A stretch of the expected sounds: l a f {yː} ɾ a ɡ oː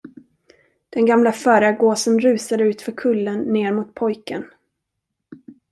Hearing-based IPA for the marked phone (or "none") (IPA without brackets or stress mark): œː